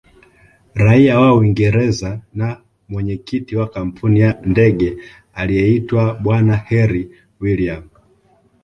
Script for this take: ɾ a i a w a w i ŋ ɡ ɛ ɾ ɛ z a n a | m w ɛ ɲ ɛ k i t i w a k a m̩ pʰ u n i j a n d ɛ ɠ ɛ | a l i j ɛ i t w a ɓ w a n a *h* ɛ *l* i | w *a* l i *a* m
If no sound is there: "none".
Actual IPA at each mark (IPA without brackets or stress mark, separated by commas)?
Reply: h, ɾ, i, a